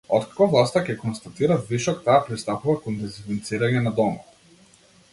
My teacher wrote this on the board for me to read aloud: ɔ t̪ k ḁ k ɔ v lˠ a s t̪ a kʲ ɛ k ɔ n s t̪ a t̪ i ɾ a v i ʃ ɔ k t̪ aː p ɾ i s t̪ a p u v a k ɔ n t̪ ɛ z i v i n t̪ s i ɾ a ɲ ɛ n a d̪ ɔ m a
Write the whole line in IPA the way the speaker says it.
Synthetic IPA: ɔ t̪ k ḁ k ɔ v lˠ a s t̪ a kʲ ɛ k ɔ n s t̪ a t̪ i ɾ a v i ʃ ɔ k t̪ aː p ɾ i s t̪ a p u v a k ɔ n d̪ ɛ z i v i n t̪ s i ɾ a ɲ ɛ n a d̪ ɔ m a